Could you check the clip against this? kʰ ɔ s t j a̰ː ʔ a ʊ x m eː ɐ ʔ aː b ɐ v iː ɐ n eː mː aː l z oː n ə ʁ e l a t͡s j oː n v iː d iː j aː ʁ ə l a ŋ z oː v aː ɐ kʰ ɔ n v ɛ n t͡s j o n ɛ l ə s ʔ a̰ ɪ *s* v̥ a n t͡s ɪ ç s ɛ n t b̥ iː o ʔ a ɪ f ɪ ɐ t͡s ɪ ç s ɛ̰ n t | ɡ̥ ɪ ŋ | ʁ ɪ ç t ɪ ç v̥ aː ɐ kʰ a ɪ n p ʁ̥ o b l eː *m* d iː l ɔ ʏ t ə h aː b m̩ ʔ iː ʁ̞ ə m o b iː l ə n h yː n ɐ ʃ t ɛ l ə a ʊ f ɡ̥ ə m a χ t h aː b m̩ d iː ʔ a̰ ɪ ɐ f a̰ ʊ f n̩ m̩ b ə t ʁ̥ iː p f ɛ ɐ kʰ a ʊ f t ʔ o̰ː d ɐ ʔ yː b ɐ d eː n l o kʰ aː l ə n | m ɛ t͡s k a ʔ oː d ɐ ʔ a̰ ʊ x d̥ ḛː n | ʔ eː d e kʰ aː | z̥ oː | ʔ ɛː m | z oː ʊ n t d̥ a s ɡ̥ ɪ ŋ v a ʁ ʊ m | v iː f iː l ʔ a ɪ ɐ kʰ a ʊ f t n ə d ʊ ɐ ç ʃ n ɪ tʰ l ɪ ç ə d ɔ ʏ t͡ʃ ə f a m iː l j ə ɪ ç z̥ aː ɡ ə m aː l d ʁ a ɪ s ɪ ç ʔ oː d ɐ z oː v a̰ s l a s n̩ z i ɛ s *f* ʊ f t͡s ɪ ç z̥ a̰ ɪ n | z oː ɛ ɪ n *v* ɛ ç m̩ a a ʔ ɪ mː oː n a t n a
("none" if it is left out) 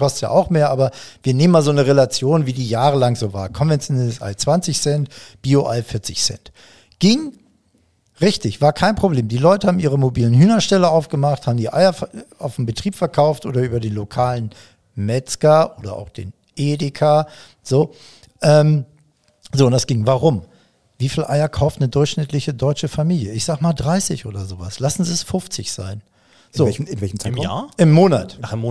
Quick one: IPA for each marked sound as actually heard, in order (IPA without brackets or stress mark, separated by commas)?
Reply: t͡s, m, f, v